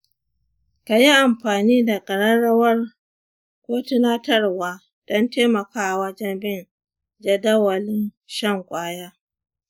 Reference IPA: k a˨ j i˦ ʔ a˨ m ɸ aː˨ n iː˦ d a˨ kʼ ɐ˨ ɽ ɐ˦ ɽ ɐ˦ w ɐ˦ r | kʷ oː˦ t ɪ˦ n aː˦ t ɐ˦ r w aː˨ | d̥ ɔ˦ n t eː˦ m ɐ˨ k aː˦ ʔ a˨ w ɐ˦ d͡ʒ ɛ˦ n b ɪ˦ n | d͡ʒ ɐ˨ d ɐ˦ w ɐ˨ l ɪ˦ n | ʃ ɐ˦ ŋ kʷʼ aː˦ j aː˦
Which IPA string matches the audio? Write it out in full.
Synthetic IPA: k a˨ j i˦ ʔ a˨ m ɸ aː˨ n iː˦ d a˨ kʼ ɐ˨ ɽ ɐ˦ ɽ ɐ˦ w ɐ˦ r | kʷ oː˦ t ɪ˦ n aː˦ t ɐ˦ r w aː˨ | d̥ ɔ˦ n t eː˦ m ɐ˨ k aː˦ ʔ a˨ w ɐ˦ d͡ʒ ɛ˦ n b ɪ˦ n | d͡ʒ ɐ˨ d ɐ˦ w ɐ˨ l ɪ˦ n | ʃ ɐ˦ ŋ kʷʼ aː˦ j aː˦